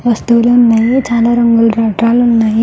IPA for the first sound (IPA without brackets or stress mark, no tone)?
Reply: ʋ